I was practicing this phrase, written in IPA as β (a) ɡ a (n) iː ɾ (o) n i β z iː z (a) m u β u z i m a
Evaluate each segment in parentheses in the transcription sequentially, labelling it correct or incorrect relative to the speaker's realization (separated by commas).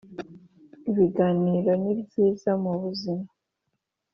incorrect, correct, correct, correct